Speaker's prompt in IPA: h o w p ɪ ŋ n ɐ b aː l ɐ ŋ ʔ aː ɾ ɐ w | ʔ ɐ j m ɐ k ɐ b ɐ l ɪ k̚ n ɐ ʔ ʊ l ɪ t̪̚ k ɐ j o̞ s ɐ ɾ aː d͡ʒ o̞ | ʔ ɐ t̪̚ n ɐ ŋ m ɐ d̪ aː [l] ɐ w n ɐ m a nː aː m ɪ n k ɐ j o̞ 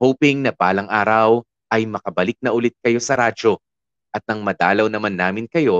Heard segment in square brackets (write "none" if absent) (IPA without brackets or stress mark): l